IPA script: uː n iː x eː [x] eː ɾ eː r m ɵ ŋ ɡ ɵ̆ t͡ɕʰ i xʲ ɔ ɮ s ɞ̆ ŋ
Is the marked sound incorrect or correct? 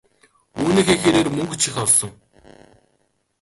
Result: correct